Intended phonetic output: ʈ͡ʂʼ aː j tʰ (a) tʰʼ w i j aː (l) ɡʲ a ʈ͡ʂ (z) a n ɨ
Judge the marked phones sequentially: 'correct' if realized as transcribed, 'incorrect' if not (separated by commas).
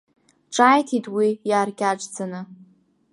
incorrect, incorrect, incorrect